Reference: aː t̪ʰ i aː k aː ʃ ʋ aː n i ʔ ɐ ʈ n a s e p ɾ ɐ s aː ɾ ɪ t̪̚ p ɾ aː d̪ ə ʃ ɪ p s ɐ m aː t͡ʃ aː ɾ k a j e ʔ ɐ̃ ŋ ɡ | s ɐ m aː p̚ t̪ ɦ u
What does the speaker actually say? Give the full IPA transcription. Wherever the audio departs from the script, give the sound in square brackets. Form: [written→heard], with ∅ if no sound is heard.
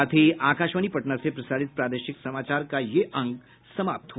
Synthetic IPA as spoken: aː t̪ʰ i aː k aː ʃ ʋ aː n i [ʔ→p] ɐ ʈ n a s e p ɾ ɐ s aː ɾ ɪ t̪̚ p ɾ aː d̪ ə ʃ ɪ [p→k] s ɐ m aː t͡ʃ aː ɾ k a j e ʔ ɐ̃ ŋ ɡ | s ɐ m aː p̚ t̪ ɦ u